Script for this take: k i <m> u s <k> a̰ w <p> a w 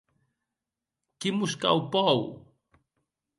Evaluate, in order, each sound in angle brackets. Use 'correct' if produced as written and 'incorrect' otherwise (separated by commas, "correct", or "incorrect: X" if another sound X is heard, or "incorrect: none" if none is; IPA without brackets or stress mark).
correct, correct, correct